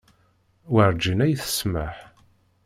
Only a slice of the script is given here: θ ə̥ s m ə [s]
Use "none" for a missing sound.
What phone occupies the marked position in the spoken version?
ħ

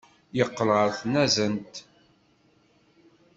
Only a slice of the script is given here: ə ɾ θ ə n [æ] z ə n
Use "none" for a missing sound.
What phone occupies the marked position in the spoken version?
æ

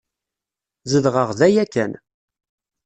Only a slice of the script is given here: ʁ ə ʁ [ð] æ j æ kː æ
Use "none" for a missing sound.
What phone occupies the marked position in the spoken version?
ð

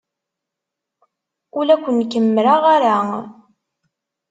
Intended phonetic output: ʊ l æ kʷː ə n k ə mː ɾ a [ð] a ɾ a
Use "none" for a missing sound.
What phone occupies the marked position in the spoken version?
ʁ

